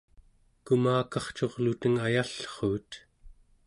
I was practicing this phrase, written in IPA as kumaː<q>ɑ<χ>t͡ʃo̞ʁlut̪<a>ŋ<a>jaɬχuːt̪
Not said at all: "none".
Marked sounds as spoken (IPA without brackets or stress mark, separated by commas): k, χ, ə, a